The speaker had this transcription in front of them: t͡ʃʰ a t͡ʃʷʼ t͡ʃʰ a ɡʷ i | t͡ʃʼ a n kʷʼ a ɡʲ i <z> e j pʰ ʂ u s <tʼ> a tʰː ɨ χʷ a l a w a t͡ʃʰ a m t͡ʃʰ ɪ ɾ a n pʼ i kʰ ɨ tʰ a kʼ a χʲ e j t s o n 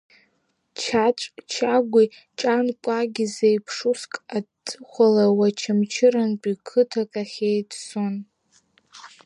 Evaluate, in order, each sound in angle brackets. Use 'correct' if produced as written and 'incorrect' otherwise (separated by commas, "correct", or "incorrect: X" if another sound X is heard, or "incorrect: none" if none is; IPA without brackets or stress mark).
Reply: correct, incorrect: kʼ